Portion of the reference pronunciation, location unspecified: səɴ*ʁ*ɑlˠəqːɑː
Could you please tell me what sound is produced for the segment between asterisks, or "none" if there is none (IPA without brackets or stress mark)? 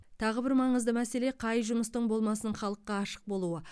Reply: χ